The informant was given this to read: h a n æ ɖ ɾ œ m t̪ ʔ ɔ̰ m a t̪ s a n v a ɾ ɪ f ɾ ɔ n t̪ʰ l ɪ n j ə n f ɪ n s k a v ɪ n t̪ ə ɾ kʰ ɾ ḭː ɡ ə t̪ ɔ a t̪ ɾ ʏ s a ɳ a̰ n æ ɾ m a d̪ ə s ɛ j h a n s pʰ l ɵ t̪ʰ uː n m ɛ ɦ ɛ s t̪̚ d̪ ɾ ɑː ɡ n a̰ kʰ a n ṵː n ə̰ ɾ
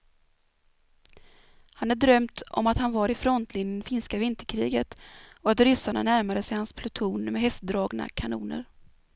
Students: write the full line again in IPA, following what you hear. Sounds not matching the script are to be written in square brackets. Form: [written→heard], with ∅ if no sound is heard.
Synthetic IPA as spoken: h a n æ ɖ ɾ œ m t̪ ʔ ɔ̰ m a t̪ [s→h] a n v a ɾ ɪ f ɾ ɔ n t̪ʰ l ɪ n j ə n f ɪ n s k a v ɪ n t̪ ə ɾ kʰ ɾ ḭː ɡ ə t̪ ɔ a t̪ ɾ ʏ s a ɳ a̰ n æ ɾ m a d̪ ə s ɛ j h a n s pʰ l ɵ t̪ʰ uː n m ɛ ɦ ɛ s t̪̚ d̪ ɾ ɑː ɡ n a̰ kʰ a n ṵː n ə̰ ɾ